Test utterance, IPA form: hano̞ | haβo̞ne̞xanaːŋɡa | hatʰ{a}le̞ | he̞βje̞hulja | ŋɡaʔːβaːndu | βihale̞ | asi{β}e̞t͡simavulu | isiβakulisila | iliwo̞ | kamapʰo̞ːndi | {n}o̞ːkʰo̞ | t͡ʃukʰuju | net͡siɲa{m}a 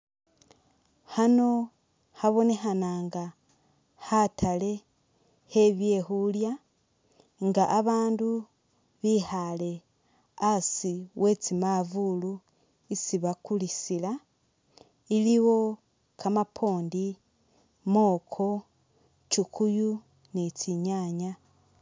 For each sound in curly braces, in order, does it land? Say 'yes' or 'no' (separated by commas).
yes, no, no, no